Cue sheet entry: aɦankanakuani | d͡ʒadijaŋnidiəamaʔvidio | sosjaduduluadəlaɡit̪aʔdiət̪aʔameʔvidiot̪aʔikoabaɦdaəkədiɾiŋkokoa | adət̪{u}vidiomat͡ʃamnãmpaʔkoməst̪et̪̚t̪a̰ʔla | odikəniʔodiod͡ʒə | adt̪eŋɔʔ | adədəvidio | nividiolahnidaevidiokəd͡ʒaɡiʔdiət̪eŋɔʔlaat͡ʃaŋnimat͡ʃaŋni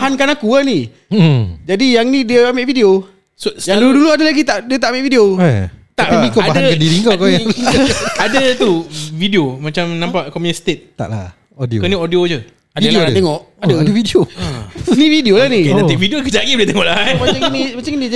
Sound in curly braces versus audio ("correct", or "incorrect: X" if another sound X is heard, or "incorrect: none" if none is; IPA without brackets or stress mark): correct